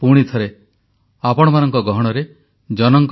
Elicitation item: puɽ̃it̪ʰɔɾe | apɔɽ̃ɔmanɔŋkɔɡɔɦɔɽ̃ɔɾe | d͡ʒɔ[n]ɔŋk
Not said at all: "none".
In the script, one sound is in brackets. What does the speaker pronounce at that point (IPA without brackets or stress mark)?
n